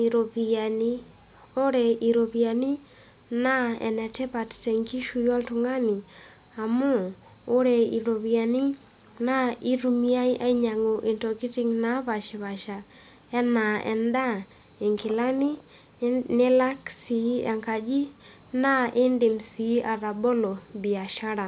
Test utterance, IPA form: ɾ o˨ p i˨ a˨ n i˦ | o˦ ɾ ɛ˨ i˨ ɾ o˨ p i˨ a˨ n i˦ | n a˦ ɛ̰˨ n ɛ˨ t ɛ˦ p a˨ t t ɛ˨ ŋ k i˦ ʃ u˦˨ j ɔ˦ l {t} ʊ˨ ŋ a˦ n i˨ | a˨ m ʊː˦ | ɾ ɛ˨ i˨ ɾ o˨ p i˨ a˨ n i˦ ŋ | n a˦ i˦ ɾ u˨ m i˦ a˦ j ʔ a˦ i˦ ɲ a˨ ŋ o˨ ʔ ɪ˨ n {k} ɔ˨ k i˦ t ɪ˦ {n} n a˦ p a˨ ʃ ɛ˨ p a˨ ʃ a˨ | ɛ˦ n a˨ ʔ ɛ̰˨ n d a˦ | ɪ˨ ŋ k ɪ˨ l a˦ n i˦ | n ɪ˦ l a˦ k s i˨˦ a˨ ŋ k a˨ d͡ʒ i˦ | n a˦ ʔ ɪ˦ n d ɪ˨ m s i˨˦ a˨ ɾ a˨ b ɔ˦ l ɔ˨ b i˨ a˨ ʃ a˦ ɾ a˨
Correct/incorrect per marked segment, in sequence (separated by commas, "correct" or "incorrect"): correct, incorrect, incorrect